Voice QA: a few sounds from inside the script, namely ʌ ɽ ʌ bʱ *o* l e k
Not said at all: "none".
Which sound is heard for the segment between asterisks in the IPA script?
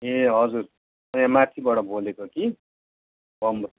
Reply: o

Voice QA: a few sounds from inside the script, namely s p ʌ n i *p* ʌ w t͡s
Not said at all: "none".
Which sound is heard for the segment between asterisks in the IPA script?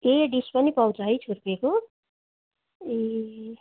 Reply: p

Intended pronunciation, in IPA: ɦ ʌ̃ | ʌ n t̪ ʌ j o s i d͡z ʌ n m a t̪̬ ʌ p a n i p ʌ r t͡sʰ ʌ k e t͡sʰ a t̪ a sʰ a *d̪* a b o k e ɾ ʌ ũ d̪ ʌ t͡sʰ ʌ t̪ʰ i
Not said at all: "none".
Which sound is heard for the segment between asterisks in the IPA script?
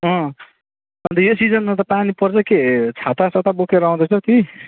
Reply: t̪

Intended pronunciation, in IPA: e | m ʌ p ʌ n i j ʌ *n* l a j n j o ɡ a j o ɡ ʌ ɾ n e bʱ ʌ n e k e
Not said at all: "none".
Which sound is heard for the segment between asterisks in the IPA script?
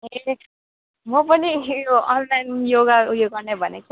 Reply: n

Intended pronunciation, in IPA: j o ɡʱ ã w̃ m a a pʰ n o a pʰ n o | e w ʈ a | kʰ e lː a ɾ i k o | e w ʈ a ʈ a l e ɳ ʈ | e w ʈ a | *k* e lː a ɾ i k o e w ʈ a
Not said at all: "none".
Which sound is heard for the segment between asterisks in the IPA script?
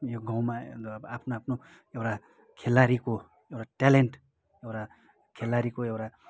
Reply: kʰ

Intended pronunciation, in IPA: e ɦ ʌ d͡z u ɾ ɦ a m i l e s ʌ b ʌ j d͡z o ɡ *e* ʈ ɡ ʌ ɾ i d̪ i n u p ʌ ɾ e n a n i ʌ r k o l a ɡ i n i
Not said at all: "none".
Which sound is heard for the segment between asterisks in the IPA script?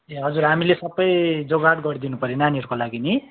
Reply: a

